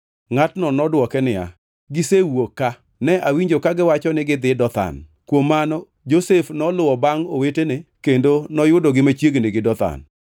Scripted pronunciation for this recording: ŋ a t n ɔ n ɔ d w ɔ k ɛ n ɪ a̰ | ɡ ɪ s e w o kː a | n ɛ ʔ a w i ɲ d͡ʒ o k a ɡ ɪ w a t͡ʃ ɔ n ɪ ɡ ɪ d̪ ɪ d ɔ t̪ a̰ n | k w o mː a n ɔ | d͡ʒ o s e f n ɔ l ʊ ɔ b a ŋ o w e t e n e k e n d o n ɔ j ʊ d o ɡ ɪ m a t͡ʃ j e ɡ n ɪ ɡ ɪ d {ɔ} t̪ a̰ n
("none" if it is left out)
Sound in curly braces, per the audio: ɔ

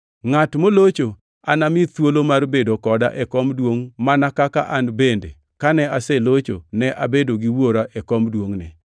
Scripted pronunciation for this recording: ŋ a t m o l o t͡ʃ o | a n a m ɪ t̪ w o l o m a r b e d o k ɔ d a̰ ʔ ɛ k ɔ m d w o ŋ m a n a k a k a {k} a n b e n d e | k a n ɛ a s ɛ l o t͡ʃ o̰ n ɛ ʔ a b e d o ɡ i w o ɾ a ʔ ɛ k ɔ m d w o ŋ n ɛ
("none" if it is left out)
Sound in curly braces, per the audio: ʔ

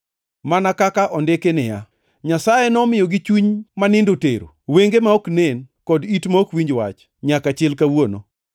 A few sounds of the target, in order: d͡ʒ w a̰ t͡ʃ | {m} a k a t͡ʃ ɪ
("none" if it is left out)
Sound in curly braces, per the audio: ɲ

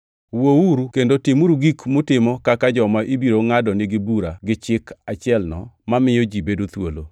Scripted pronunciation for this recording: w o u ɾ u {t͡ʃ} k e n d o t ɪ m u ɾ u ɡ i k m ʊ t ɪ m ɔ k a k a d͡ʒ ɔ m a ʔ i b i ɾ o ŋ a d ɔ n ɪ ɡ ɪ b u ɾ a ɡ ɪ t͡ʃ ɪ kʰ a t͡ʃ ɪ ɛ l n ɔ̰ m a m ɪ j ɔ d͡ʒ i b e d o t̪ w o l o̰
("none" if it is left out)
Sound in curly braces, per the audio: none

